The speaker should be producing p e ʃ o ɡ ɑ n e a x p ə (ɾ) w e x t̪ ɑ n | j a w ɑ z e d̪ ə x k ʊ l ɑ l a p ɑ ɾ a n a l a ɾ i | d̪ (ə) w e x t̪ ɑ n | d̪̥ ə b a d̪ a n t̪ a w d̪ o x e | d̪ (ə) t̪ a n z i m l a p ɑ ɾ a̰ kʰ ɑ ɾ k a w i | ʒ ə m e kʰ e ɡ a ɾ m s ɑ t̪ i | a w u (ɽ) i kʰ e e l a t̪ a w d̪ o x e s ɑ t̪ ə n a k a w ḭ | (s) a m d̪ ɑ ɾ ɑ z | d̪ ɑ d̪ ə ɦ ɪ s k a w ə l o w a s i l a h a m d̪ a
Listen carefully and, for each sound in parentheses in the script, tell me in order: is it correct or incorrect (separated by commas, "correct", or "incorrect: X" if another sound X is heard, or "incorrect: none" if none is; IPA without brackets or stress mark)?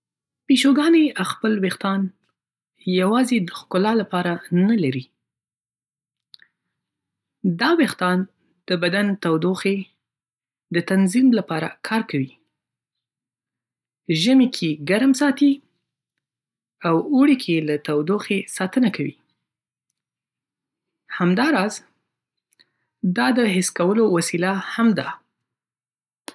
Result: incorrect: l, incorrect: ɑ, correct, correct, incorrect: h